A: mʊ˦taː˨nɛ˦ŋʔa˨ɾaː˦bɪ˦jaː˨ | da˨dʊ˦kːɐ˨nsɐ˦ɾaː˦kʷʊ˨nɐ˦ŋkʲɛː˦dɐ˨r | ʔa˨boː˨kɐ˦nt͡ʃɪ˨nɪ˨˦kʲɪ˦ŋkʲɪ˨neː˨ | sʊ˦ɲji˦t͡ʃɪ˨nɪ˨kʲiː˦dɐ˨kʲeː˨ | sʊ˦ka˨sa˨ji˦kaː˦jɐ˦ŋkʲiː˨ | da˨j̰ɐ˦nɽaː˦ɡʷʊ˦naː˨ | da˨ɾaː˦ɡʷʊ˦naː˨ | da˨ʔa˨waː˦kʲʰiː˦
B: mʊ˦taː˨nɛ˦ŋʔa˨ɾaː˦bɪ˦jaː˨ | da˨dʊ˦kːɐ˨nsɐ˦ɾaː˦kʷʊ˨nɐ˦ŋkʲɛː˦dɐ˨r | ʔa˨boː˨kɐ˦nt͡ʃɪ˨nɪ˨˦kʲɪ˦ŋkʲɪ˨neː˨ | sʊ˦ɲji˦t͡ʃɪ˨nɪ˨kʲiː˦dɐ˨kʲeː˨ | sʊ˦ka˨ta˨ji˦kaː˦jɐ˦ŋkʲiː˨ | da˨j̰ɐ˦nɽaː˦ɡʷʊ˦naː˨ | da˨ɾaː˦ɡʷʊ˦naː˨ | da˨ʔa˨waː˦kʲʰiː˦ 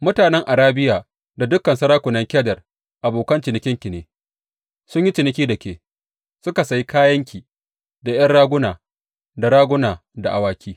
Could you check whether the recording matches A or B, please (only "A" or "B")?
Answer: A